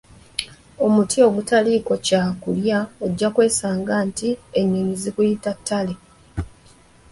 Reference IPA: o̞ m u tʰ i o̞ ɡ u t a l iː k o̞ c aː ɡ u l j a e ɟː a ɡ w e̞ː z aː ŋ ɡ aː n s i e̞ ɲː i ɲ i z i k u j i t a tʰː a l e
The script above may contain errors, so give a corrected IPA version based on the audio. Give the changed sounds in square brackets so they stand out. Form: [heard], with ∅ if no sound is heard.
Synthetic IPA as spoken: o̞ m u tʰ i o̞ ɡ u t a l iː k o̞ c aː [k] u l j a e ɟː a [k] w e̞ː [s] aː ŋ ɡ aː n [t] i e̞ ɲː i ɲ i z i k u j i t a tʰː a l e